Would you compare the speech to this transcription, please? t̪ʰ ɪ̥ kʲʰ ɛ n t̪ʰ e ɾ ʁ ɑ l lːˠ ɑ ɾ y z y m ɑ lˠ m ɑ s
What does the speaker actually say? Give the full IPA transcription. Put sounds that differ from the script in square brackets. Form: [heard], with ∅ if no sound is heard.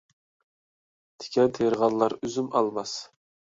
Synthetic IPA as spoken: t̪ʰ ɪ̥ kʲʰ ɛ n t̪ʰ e ɾ ʁ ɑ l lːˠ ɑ ɾ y z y m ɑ lˠ m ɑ s